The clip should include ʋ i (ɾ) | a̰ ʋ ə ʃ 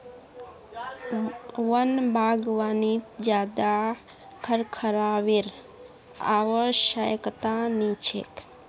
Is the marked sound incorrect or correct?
correct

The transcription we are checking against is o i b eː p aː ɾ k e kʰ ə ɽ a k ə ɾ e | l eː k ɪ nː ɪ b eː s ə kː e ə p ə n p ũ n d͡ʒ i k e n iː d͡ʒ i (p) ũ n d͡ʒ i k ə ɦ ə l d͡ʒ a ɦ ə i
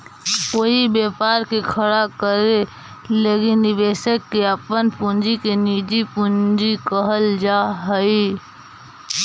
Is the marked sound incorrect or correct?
correct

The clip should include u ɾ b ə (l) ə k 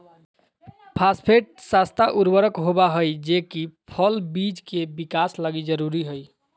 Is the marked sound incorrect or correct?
incorrect: ɾ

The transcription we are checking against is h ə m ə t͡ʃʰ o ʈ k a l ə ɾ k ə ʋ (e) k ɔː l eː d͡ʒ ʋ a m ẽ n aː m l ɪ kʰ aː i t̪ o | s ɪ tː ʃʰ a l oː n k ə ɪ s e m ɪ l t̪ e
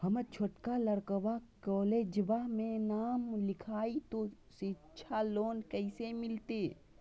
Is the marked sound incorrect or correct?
incorrect: a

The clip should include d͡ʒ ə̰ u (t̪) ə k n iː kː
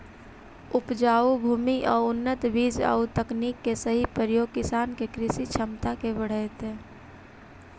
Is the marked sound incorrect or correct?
correct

